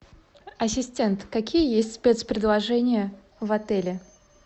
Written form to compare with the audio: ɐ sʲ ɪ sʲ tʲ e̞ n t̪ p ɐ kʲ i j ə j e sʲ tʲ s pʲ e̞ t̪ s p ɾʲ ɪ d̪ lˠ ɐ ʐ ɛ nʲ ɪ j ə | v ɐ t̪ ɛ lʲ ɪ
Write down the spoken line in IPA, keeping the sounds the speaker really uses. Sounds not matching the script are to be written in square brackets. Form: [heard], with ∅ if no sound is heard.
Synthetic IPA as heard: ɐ sʲ ɪ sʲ tʲ e̞ n t̪ [k] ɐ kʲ i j ə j e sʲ tʲ s pʲ e̞ t̪ s p ɾʲ ɪ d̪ lˠ ɐ ʐ ɛ nʲ ɪ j ə | v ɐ t̪ ɛ lʲ ɪ